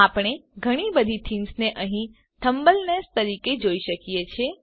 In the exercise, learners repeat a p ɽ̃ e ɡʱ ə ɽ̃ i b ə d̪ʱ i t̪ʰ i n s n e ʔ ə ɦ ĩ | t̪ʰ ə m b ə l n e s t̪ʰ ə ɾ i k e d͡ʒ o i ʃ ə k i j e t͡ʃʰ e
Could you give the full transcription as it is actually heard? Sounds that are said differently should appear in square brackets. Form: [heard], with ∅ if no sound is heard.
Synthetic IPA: a p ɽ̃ e ɡʱ ə ɽ̃ i b ə d̪ʱ i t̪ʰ i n s n e ʔ ə ɦ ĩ | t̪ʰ ə m b ə l n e s [t̪] ə ɾ i k e d͡ʒ o i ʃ ə k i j e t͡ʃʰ e